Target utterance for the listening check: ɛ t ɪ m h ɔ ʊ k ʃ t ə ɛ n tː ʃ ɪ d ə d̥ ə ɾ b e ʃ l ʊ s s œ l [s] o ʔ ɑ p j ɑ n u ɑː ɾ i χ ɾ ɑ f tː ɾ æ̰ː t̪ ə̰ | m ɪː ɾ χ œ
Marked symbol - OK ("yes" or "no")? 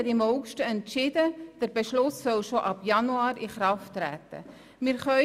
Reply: no